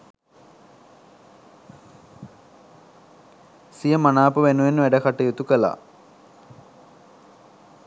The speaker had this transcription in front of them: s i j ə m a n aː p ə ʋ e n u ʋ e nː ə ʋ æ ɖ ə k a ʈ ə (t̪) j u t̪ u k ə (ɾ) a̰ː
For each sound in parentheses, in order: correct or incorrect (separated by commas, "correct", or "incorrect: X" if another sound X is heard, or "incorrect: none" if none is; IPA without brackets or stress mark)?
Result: incorrect: none, incorrect: l